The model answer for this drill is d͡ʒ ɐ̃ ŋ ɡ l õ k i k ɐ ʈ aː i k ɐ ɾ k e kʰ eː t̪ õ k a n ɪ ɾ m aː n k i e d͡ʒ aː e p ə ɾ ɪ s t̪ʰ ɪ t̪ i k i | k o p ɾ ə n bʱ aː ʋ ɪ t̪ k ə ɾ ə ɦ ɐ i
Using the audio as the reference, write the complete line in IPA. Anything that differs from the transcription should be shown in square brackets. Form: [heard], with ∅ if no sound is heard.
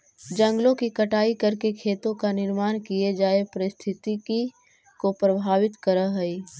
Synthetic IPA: d͡ʒ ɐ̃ ŋ ɡ l õ k i k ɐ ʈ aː i k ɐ ɾ k e kʰ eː t̪ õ k a n ɪ ɾ m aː n k i e d͡ʒ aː e p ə ɾ ɪ s t̪ʰ ɪ t̪ i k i | k o p ɾ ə [∅] bʱ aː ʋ ɪ t̪ k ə ɾ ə ɦ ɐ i